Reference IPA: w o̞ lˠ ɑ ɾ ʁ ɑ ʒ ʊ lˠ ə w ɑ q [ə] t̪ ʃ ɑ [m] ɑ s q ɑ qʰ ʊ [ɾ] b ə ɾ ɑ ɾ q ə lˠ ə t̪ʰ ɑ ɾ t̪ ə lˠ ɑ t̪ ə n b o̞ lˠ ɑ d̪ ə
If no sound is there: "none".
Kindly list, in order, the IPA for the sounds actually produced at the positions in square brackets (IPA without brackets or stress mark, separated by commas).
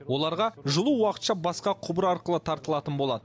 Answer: ə, b, none